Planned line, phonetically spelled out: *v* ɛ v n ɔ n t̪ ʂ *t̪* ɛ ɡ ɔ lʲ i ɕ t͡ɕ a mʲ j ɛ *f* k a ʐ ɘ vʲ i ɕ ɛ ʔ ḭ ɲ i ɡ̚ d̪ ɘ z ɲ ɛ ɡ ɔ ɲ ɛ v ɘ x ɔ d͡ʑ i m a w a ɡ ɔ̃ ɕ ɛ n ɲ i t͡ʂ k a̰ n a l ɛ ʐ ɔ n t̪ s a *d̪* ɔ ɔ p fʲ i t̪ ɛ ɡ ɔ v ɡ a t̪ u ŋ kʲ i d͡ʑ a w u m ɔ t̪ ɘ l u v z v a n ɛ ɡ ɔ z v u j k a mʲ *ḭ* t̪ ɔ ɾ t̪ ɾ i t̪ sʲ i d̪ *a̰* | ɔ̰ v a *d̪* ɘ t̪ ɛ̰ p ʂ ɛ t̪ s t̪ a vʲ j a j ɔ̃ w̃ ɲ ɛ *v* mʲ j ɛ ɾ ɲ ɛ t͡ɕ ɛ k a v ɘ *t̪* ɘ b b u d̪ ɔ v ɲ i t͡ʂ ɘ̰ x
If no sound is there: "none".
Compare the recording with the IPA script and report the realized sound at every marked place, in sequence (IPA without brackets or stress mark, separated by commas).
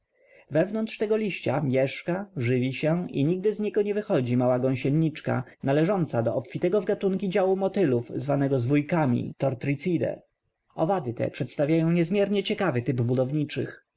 v, t̪, ʂ, d̪, ḭ, ɛ̰, d̪, z, t̪